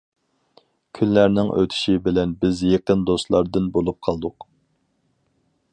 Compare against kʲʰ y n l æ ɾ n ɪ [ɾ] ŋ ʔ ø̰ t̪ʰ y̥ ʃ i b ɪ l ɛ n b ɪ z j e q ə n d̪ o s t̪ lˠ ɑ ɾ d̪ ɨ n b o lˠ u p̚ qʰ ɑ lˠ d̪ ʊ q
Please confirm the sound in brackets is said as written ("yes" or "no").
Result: no